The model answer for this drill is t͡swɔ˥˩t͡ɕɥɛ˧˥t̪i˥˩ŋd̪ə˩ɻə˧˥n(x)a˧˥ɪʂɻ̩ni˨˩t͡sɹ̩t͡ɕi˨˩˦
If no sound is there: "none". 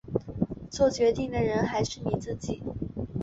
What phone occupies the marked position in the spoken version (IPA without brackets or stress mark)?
x